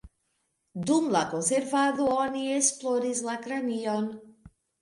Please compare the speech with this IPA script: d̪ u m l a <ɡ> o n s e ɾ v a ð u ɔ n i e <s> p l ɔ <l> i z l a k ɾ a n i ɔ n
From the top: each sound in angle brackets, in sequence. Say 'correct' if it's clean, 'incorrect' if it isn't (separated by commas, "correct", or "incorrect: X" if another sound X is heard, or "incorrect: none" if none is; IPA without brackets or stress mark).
incorrect: k, correct, incorrect: ɾ